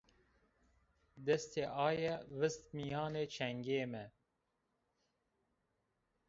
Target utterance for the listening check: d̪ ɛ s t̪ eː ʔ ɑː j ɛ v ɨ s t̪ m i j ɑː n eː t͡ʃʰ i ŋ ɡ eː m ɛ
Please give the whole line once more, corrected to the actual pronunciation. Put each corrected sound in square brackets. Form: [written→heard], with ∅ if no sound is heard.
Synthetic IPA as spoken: d̪ ɛ s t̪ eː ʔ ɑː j ɛ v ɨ s t̪ m i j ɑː n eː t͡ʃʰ [i→ɛ] ŋ ɡ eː m ɛ